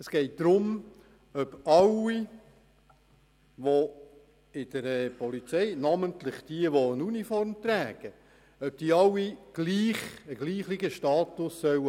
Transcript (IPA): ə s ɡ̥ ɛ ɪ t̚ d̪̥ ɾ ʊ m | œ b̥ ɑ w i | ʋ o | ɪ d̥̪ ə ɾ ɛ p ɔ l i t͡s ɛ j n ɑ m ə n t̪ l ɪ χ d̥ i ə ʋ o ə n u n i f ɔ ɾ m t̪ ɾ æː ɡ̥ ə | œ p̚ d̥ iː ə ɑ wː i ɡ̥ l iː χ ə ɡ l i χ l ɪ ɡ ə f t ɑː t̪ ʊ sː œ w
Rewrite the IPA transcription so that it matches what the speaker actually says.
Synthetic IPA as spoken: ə s ɡ̥ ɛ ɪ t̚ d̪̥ ɾ ʊ m | œ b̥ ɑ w i | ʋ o | ɪ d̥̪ ə ɾ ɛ p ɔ l i t͡s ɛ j n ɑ m ə n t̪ l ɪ χ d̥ i ə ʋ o ə n u n i f ɔ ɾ m t̪ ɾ æː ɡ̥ ə | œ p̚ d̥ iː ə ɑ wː i ɡ̥ l iː χ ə ɡ l iː χ l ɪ ɡ ə ʃ t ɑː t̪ ʊ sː œ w

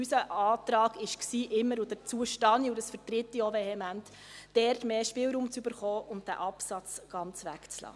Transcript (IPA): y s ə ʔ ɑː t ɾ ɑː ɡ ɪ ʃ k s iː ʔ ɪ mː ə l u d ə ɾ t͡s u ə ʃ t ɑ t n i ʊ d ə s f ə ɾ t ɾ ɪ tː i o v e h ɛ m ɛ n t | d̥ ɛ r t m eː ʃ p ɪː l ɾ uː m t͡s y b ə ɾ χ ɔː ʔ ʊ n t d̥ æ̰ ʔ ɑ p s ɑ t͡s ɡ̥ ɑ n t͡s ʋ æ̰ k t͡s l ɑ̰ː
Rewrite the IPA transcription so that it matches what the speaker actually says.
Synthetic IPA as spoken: y s ə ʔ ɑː t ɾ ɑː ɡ ɪ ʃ k s iː ʔ ɪ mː ə ɾ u d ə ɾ t͡s u ə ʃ t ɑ n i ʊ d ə s f ə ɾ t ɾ ɪ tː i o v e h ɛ m æ n t | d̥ ɛ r t m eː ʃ p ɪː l ɾ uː m t͡s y b ə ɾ χ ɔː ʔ ʊ n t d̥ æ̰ ʔ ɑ p s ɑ t͡s ɡ̥ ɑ n t͡s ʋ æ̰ k t͡s l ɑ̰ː

